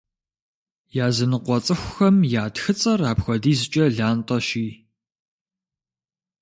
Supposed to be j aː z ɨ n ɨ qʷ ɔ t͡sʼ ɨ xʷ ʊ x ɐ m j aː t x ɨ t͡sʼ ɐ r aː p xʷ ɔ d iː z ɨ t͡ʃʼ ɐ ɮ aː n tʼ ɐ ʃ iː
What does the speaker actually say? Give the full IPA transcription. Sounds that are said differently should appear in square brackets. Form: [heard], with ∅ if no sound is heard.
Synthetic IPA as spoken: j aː z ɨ n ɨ qʷ ɔ t͡sʼ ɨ xʷ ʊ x ɐ m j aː t x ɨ t͡sʼ ɐ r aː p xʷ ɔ d iː z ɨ t͡ʃʼ ɐ ɮ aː n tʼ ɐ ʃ iː

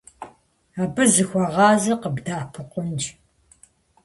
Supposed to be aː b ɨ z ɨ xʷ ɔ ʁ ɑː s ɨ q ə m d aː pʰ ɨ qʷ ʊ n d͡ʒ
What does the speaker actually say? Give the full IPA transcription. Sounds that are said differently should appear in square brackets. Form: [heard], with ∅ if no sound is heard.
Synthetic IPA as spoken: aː b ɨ z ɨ xʷ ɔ ʁ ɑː [z] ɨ q ə [b] d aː pʰ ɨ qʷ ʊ n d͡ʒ

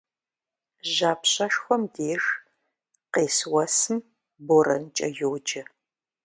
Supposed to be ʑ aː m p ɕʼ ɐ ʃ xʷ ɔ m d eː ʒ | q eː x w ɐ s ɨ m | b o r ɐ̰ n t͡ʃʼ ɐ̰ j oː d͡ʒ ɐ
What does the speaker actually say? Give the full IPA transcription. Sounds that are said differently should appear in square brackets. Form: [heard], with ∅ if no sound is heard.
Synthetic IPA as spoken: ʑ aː [∅] p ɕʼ ɐ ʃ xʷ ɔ m d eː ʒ | q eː [s] w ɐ s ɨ m | b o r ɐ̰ n t͡ʃʼ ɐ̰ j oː d͡ʒ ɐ

